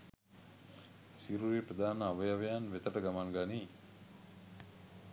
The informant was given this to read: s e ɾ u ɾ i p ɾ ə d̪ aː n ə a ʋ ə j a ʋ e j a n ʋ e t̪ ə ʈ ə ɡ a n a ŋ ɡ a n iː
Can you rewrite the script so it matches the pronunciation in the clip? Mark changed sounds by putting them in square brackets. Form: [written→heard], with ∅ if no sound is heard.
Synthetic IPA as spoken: s [e→i] ɾ u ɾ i p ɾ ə d̪ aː n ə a ʋ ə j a ʋ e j a n ʋ e t̪ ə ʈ ə ɡ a [n→m] a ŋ ɡ a n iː